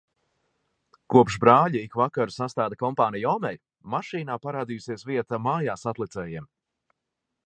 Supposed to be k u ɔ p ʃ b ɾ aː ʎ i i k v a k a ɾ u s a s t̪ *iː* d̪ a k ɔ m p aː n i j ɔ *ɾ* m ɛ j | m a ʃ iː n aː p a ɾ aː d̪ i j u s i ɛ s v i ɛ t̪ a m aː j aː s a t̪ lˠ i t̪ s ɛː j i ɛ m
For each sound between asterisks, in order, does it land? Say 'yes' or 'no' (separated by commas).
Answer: no, no